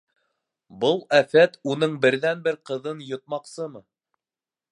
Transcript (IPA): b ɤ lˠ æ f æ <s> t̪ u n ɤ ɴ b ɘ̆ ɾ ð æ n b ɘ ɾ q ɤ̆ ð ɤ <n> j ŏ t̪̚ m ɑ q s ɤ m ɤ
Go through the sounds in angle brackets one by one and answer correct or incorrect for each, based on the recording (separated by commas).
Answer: incorrect, correct